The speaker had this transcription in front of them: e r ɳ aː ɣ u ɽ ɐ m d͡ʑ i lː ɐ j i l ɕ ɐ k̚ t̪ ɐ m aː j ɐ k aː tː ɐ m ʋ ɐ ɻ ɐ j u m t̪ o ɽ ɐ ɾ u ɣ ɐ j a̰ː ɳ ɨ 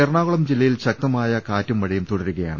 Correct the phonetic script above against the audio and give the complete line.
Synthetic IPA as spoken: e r ɳ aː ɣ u ɭ ɐ m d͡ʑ i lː ɐ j i l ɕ ɐ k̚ t̪ ɐ m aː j ɐ k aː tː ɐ m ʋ ɐ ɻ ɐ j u m t̪ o ɽ ɐ ɾ u ɣ ɐ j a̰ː ɳ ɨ